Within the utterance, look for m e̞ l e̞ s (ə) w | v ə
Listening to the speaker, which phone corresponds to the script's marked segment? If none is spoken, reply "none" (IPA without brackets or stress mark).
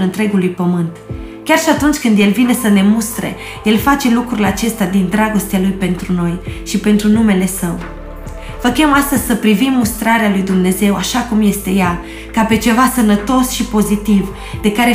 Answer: ə